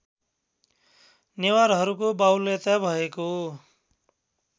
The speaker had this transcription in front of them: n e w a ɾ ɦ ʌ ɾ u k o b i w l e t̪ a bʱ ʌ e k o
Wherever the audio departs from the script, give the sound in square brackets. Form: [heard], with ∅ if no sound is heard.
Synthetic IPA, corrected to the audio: n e w a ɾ ɦ ʌ ɾ u k o b [a] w l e t̪ a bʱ ʌ e k o